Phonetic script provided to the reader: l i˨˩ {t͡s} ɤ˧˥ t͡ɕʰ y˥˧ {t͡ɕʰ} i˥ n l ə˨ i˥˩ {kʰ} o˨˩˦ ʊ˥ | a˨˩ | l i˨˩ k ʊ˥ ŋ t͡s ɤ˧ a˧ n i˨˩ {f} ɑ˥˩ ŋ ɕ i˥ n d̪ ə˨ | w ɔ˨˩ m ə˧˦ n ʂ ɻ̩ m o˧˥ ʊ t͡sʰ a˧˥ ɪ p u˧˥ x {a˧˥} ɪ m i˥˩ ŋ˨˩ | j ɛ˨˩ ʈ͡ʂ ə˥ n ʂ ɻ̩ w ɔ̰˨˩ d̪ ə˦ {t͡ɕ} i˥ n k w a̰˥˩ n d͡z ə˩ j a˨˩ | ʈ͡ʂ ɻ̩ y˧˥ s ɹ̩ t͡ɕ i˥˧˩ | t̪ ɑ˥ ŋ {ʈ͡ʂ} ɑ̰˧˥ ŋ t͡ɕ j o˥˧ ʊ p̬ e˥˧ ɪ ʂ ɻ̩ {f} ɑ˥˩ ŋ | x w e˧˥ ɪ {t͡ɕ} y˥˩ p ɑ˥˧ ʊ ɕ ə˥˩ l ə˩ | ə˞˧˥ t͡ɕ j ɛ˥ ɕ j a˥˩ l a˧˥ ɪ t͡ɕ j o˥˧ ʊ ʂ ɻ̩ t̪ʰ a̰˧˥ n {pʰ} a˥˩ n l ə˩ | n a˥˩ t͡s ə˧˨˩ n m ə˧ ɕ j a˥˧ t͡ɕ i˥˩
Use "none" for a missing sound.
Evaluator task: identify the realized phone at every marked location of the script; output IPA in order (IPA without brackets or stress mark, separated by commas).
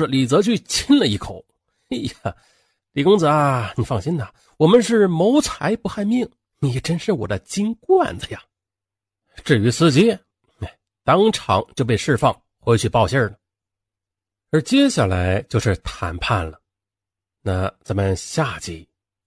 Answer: t͡s, t͡ɕʰ, kʰ, f, a˥˧, t͡ɕ, ʈ͡ʂʰ, f, t͡ɕʰ, pʰ